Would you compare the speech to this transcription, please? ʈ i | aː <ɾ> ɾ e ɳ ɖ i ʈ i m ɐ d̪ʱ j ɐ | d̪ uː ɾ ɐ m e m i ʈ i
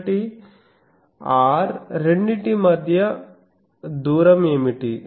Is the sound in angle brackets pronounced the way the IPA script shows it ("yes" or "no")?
yes